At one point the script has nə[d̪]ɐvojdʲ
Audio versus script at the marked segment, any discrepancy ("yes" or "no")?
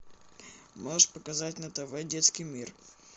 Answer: yes